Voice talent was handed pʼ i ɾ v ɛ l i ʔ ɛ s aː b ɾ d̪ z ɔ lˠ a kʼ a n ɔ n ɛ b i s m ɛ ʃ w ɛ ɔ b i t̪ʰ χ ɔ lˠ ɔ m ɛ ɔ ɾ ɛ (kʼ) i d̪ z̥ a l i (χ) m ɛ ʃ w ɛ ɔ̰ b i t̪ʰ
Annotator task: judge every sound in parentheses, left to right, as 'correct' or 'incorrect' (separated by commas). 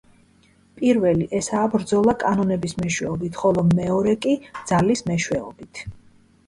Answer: correct, incorrect